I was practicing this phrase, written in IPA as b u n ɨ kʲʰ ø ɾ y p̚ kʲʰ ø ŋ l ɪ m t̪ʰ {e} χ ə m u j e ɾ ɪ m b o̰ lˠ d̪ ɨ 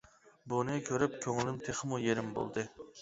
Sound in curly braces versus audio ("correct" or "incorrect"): correct